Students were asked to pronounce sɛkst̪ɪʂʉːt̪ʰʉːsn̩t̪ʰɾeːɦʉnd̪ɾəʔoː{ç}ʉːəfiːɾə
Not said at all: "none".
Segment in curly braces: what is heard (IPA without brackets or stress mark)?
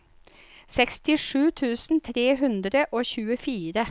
ç